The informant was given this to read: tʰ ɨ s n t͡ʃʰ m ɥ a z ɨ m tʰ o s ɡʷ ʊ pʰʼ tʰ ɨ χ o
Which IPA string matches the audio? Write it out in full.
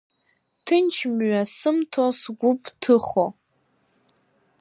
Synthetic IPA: tʰ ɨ n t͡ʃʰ m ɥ a s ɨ m tʰ o s ɡʷ ʊ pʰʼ tʰ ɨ χ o